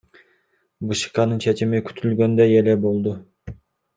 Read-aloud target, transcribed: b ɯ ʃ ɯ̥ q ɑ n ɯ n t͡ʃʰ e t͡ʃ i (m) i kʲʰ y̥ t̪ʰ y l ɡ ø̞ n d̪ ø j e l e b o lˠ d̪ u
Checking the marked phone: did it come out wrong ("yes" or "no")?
no